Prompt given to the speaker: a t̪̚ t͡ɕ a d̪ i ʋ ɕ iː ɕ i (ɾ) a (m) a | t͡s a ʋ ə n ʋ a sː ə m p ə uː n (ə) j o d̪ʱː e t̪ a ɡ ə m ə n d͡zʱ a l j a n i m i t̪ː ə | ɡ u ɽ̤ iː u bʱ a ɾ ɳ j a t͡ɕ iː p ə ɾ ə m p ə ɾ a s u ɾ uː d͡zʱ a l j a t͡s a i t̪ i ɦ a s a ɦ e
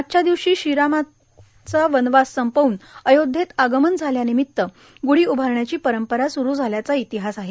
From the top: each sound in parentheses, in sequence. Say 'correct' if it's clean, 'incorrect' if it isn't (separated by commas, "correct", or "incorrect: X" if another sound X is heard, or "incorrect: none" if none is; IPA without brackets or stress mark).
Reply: correct, correct, correct